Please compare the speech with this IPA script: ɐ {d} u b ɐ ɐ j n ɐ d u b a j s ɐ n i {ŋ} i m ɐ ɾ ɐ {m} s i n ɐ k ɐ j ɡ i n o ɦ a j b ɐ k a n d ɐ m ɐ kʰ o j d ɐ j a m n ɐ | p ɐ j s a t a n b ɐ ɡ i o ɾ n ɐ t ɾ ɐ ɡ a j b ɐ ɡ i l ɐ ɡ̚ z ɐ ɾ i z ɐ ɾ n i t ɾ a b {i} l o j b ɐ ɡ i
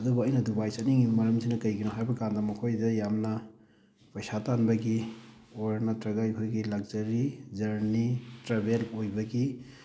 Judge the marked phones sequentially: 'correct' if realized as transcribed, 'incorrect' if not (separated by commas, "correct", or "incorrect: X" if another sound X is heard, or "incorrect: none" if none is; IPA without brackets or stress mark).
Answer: correct, correct, correct, incorrect: e